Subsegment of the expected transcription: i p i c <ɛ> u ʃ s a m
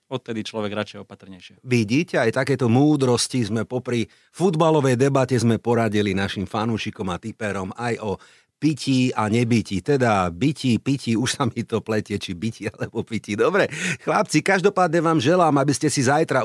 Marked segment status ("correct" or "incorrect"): incorrect